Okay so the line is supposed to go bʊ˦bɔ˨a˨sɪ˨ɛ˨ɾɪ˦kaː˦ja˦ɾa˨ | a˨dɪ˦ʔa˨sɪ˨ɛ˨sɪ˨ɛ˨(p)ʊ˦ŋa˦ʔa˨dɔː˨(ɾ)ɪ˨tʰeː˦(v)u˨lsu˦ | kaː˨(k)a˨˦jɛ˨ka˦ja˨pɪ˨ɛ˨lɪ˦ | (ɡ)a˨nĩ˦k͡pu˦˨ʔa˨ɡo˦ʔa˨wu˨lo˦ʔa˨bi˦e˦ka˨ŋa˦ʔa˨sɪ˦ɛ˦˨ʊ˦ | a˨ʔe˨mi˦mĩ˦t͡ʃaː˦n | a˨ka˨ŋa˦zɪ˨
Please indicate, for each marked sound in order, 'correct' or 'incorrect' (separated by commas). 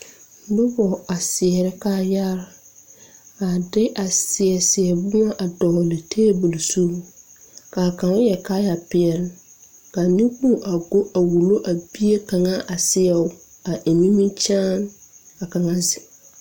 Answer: incorrect, incorrect, incorrect, correct, incorrect